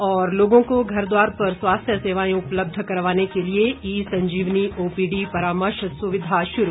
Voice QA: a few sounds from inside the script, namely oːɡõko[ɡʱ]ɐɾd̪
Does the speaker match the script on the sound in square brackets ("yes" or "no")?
yes